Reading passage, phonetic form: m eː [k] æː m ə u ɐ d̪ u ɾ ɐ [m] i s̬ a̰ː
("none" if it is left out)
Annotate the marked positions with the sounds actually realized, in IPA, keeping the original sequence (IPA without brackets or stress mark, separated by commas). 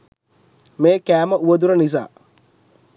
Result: k, n